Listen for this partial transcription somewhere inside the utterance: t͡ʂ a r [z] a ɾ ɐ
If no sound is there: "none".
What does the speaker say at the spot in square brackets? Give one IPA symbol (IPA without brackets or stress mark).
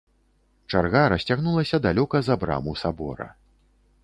ɣ